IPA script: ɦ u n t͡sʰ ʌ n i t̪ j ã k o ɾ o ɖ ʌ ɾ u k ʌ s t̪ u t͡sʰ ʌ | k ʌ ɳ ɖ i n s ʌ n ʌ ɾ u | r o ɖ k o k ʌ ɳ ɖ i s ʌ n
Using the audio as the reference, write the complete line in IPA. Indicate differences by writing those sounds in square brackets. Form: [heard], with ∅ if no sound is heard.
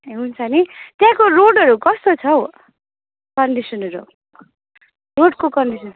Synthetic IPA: ɦ u n t͡sʰ ʌ n i t̪ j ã k o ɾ o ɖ ʌ ɾ u k ʌ s t̪ [o] t͡sʰ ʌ | k ʌ ɳ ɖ i [∅] s ʌ n ʌ ɾ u | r o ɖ k o k ʌ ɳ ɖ i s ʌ n